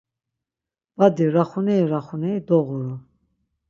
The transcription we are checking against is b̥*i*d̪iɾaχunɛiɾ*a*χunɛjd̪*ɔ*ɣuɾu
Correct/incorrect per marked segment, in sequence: incorrect: a, correct, correct

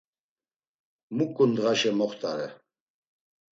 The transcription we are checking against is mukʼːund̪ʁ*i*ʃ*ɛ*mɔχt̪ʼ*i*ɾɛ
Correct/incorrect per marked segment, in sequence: incorrect: a, correct, incorrect: a

